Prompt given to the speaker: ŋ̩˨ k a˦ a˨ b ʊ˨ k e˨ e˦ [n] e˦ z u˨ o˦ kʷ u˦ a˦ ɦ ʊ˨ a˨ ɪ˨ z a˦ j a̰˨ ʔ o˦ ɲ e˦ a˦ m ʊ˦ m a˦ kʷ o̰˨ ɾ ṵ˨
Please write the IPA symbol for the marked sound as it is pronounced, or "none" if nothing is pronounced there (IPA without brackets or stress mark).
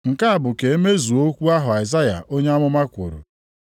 m